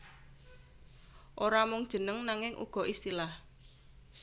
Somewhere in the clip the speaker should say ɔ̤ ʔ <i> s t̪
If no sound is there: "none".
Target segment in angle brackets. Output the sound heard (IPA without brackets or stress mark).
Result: i